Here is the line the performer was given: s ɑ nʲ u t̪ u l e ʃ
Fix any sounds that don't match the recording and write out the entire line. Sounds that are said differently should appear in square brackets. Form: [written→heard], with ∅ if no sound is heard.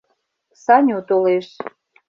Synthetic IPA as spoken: s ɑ nʲ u t̪ [u→o] l e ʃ